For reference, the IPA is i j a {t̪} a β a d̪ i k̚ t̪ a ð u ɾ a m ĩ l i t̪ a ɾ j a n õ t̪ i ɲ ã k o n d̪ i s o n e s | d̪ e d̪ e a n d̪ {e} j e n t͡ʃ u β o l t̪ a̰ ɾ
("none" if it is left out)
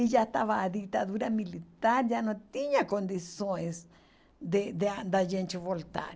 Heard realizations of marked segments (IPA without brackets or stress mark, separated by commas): t̪, a